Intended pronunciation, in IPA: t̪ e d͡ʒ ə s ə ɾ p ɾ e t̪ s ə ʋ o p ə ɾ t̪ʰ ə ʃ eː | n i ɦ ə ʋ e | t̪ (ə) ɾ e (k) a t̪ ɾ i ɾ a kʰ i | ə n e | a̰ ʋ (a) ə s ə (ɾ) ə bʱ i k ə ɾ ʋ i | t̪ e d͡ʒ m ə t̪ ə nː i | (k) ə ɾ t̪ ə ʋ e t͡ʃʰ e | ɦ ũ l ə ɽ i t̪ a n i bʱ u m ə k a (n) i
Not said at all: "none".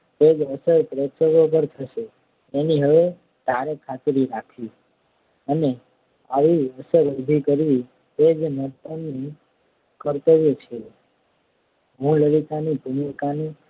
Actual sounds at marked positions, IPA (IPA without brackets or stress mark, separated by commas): a, kʰ, i, ɾ, k, n